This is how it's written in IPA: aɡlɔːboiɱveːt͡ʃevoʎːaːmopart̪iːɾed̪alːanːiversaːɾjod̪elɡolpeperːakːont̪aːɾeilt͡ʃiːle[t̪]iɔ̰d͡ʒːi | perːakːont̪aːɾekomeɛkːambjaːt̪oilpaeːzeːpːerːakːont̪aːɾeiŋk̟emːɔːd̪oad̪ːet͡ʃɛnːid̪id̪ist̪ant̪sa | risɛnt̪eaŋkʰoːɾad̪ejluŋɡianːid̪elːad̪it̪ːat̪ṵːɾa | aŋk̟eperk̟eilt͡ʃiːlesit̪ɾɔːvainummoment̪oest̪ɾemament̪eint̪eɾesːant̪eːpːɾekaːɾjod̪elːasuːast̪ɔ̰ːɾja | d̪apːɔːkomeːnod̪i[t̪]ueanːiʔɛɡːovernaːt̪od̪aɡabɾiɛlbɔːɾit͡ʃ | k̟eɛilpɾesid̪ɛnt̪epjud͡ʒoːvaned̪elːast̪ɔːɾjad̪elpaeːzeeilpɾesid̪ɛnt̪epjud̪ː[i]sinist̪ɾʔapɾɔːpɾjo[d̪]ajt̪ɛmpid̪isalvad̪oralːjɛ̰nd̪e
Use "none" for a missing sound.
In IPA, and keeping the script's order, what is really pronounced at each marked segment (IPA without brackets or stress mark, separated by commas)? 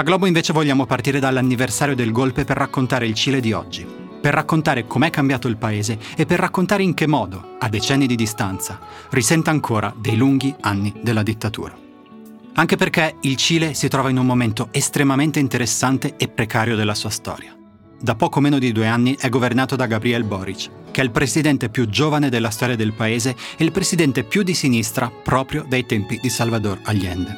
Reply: d̪, d̪, i, d̪